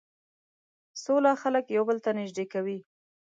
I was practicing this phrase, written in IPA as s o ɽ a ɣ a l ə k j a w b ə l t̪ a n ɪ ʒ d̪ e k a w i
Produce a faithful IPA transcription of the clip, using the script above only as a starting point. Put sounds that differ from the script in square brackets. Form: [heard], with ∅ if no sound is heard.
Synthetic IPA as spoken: s o [l] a [x] a l ə k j a w b ə l t̪ a n ɪ ʒ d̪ e k a w i